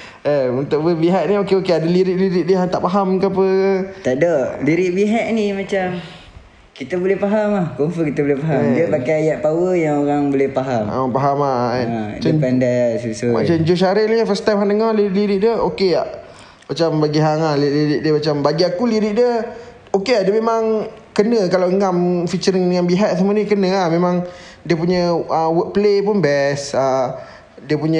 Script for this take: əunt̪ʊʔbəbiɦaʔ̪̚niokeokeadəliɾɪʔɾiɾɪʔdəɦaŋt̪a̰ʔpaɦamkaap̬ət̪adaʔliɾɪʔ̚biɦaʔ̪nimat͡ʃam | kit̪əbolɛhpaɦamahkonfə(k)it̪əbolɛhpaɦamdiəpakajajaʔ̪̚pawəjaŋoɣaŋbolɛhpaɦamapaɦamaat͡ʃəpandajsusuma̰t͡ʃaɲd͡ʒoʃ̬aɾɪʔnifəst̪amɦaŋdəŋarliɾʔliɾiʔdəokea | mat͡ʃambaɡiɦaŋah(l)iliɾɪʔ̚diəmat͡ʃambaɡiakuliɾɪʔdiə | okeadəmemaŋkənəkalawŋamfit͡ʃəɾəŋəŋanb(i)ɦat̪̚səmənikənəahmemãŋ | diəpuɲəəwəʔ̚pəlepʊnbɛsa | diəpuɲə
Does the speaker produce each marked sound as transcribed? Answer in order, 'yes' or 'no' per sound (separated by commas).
yes, yes, yes